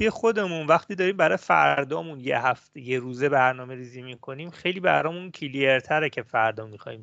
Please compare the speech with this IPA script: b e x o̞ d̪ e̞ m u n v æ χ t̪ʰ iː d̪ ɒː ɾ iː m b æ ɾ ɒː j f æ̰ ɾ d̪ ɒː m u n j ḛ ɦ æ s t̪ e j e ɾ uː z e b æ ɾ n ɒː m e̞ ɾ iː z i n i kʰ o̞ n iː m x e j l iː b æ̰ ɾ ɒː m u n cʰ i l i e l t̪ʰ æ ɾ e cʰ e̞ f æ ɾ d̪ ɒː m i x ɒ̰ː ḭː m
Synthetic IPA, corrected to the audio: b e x o̞ d̪ e̞ m u n v æ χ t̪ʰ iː d̪ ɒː ɾ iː m b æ ɾ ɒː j f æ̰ ɾ d̪ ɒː m u n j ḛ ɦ æ f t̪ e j e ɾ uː z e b æ ɾ n ɒː m e̞ ɾ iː z i m i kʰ o̞ n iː m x e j l iː b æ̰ ɾ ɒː m u n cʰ i l i e ɾ t̪ʰ æ ɾ e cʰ e̞ f æ ɾ d̪ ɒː m i x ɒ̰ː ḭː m